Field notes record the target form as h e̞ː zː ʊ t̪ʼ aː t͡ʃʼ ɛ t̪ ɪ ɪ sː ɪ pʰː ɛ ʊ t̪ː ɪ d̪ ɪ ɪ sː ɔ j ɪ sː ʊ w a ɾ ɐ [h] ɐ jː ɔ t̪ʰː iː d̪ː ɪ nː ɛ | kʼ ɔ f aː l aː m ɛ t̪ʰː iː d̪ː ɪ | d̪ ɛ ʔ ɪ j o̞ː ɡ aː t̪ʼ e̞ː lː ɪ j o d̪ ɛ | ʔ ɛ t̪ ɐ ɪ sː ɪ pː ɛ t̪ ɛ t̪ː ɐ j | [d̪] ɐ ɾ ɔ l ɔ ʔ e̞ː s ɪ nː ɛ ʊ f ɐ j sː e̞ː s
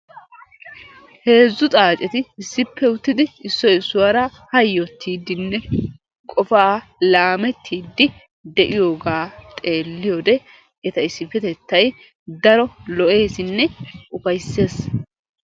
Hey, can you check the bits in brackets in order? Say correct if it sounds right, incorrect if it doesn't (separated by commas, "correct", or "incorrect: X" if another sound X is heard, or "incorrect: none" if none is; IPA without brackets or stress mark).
correct, correct